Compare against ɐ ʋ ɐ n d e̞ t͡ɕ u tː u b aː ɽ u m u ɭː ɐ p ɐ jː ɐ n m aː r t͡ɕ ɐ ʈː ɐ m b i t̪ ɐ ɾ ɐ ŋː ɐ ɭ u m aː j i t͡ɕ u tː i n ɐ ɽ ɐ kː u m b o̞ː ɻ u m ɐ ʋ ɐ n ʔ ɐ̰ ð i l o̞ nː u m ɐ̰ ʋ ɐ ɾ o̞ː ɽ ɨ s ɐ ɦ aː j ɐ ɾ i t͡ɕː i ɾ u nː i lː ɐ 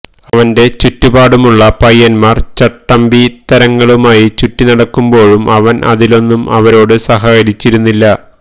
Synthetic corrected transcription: ɐ ʋ ɐ n d e̞ t͡ɕ u tː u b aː ɽ u m u ɭː ɐ p ɐ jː ɐ n m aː r t͡ɕ ɐ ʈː ɐ m b i t̪ ɐ ɾ ɐ ŋː ɐ ɭ u m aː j i t͡ɕ u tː i n ɐ ɽ ɐ kː u m b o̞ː ɻ u m ɐ ʋ ɐ n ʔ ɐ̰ ð i l o̞ nː u m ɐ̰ ʋ ɐ ɾ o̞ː ɽ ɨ s ɐ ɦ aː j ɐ ɾ i t͡ɕː i ɾ u nː i lː ɐ